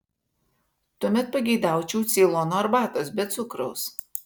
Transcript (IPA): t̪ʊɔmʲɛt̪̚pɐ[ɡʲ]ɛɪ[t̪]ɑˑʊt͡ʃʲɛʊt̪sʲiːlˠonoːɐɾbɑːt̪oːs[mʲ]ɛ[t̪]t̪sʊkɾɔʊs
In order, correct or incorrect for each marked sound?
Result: correct, incorrect: d̪, incorrect: bʲ, correct

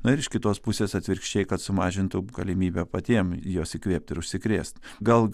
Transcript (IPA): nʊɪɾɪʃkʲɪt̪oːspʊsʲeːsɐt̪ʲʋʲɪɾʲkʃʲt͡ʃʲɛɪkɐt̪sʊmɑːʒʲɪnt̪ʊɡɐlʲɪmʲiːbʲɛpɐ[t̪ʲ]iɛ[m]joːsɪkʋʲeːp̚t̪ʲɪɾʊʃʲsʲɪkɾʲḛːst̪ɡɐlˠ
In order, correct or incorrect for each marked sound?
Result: correct, correct

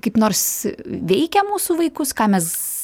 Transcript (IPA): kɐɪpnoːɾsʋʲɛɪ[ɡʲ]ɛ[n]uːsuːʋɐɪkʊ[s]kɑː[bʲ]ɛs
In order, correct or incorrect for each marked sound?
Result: incorrect: kʲ, incorrect: m, correct, incorrect: mʲ

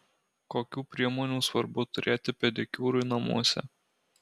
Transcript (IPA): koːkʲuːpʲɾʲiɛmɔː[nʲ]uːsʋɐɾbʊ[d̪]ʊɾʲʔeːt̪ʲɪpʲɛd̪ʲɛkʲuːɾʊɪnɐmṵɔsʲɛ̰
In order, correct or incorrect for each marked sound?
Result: correct, incorrect: t̪

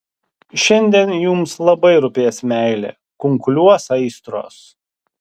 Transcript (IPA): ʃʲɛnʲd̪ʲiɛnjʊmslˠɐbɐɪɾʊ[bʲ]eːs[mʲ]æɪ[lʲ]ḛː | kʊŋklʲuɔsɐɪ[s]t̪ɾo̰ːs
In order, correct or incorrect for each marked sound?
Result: incorrect: pʲ, correct, correct, correct

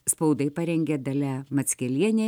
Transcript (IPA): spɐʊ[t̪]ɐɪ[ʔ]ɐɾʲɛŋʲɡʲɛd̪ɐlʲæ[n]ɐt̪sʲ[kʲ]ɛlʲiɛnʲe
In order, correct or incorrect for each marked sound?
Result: incorrect: d̪, incorrect: p, incorrect: m, correct

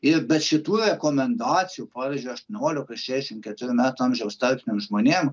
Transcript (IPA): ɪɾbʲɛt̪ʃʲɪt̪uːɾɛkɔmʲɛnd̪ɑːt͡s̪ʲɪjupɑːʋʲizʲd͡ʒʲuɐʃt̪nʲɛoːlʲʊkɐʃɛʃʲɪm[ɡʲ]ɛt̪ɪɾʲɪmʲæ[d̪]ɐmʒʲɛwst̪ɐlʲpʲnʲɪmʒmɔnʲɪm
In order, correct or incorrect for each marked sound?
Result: incorrect: kʲ, incorrect: t̪

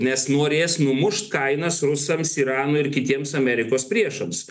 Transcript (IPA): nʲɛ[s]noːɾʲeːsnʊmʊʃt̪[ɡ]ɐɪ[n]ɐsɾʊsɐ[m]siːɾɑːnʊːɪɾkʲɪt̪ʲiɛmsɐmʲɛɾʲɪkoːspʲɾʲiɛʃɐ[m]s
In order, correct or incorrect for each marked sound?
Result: correct, incorrect: k, correct, correct, correct

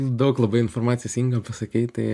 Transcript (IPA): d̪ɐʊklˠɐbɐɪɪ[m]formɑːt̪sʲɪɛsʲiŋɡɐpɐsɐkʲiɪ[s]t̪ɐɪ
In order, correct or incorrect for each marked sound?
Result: incorrect: n, incorrect: none

